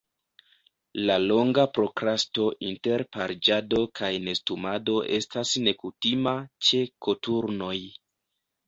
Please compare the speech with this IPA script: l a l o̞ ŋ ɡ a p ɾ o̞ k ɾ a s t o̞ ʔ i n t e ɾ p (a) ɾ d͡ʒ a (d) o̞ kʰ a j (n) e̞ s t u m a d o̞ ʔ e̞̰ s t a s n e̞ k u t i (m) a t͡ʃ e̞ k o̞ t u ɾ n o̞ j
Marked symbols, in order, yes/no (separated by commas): yes, yes, yes, yes